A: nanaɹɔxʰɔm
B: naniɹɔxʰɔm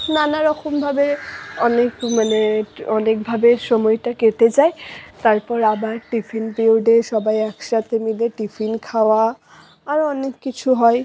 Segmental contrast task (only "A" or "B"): A